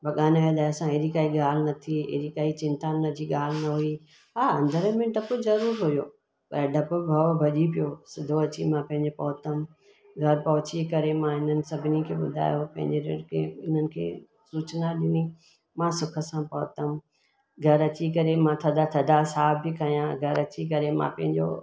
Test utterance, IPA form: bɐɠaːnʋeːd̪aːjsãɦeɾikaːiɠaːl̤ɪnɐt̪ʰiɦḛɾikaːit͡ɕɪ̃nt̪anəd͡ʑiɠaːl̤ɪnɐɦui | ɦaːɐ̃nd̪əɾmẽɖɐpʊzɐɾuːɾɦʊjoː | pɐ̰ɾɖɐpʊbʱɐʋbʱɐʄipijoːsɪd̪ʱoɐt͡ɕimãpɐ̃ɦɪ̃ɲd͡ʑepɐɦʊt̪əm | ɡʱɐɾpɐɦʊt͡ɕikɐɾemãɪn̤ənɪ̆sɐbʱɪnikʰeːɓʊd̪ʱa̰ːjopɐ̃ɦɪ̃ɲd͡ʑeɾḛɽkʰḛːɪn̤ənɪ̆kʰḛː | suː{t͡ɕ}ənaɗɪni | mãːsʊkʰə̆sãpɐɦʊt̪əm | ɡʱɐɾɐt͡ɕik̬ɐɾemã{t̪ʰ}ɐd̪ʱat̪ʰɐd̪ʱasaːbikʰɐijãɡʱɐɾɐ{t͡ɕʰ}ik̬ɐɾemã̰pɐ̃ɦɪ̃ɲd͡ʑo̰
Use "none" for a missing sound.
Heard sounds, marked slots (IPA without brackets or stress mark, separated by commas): t͡ɕ, t̪ʰ, t͡ɕ